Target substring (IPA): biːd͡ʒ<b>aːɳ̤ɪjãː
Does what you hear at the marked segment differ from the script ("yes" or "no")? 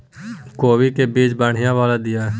no